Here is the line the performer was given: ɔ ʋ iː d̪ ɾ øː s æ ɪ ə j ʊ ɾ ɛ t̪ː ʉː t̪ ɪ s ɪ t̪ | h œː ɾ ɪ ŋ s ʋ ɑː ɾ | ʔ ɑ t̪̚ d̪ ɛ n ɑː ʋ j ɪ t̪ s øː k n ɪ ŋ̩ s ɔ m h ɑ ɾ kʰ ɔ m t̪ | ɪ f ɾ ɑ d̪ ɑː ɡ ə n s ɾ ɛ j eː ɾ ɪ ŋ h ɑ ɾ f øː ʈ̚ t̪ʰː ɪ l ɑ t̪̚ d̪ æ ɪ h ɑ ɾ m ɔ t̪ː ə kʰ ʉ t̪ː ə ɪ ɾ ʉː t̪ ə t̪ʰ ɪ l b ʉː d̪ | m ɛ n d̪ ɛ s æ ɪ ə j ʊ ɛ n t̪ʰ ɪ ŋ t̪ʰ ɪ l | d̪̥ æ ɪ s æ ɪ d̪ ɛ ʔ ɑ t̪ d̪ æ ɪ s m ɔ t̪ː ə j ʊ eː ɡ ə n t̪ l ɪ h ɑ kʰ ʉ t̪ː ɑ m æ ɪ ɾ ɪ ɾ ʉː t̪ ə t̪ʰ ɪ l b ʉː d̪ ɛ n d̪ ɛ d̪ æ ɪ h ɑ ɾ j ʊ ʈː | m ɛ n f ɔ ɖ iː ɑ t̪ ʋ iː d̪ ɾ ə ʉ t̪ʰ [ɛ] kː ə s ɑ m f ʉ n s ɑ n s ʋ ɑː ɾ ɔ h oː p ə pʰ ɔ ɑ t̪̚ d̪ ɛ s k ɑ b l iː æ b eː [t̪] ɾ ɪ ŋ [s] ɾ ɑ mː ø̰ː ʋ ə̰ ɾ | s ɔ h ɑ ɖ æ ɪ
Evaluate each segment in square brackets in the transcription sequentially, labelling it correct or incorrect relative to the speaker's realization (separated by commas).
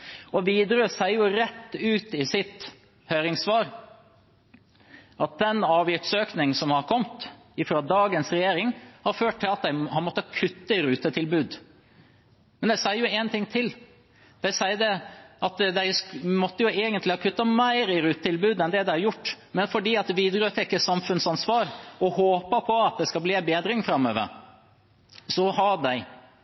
correct, incorrect, incorrect